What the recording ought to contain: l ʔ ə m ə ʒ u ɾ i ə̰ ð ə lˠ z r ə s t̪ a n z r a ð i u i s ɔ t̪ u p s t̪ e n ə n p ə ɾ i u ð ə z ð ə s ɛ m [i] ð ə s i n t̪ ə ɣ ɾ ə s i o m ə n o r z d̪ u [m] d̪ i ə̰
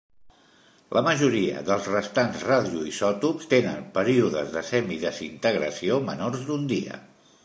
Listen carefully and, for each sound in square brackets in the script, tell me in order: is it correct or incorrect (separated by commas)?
correct, incorrect